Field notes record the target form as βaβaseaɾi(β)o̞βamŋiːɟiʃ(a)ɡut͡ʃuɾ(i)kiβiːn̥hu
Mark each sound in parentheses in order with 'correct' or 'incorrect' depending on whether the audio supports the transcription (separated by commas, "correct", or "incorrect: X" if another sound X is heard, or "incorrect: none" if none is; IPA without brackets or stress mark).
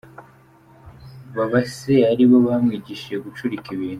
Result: correct, incorrect: e, correct